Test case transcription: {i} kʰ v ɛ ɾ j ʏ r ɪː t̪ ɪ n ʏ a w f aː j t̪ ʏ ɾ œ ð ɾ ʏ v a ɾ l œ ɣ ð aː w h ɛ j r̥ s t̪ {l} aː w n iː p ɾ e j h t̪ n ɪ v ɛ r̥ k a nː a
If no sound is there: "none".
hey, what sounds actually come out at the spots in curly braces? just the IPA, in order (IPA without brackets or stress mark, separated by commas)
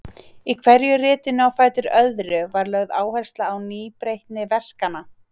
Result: i, l